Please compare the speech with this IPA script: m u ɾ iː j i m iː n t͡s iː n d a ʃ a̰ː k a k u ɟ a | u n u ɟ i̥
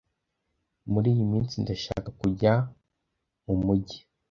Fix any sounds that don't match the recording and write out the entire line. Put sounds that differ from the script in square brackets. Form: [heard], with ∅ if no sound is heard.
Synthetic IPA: m u ɾ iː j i m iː n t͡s [i] n d a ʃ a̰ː k a k u ɟ a | u [m] u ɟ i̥